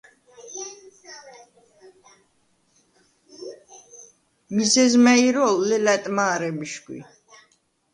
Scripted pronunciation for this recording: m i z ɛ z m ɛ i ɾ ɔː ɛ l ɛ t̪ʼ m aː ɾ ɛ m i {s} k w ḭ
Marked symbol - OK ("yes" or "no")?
no